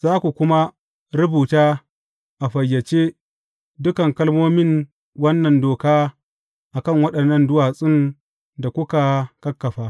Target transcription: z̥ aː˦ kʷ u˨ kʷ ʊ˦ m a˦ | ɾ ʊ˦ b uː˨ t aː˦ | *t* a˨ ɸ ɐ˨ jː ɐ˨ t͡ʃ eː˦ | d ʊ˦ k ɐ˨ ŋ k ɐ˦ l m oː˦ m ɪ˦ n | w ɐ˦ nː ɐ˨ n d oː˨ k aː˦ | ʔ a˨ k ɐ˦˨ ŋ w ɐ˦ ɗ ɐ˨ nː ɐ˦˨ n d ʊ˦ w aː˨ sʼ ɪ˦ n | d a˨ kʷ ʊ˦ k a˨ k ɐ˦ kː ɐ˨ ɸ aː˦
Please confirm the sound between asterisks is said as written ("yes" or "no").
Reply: no